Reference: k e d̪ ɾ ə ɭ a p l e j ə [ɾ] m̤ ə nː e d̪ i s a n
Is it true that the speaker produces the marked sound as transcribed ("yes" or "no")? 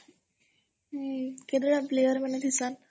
yes